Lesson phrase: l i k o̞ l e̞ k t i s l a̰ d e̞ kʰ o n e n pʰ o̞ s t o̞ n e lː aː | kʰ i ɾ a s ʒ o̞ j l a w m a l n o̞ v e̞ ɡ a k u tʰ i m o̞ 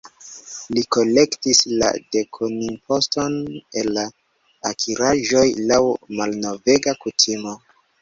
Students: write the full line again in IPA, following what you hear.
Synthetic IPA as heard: l i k o̞ l e̞ k t i s l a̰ d e̞ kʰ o n i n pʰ o̞ s t o̞ n e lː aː | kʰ i ɾ a ʒ o̞ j l a w m a l n o̞ v e̞ ɡ a k u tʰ i m o̞